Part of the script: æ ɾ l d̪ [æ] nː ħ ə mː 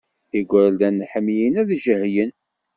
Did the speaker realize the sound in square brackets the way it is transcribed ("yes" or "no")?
yes